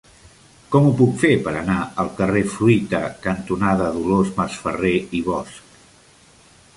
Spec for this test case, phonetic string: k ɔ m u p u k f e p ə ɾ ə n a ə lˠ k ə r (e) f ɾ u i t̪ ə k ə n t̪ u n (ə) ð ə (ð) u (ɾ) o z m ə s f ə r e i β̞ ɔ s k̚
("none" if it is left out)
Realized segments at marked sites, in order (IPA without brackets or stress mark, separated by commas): e, a, ð, l